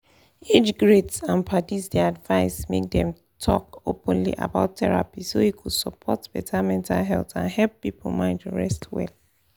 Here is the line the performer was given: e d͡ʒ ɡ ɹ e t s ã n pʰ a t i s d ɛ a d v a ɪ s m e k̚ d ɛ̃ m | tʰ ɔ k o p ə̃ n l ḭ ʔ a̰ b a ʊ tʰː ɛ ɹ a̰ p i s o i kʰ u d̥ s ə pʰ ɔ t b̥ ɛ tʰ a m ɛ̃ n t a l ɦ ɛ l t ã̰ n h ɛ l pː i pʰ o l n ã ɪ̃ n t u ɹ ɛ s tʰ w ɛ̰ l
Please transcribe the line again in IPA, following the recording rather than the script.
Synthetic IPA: e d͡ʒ ɡ ɹ e t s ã n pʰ a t i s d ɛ a d v a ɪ s m e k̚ d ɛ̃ m | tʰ ɔ k o p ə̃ n l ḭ ʔ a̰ b a ʊ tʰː ɛ ɹ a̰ p i s o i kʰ u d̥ s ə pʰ ɔ t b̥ ɛ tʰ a m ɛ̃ n t a l ɦ ɛ l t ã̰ n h ɛ l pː i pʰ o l m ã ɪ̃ n t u ɹ ɛ s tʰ w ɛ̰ l